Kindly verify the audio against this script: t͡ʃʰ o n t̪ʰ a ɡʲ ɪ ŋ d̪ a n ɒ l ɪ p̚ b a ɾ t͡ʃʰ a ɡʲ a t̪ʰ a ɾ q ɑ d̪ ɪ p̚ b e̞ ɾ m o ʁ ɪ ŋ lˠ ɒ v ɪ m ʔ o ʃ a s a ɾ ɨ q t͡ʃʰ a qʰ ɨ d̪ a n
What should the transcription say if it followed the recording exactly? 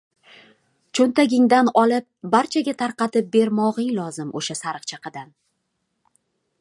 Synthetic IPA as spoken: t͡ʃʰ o n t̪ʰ a ɡʲ ɪ ŋ d̪ a n ɒ l ɪ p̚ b a ɾ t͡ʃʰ a ɡʲ a t̪ʰ a ɾ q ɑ t̪ ɪ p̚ b e̞ ɾ m ɒ ʁ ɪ ŋ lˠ ɒ z ɪ m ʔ o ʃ a s a ɾ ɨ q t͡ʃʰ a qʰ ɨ d̪ a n